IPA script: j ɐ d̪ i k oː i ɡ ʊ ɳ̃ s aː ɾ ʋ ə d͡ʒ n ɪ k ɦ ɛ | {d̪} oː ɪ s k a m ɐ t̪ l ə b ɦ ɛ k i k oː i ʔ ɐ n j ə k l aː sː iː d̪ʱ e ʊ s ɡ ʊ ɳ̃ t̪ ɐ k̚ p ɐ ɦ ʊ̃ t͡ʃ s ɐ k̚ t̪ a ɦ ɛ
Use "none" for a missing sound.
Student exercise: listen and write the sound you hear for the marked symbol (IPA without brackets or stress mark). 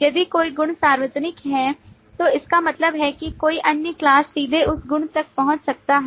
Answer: t̪